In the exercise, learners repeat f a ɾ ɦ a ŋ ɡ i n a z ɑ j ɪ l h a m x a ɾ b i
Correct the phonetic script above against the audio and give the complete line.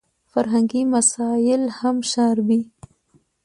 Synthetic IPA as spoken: f a ɾ ɦ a ŋ ɡ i m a s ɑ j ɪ l h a m ʃ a ɾ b i